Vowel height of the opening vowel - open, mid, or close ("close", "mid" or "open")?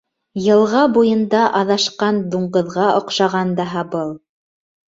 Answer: mid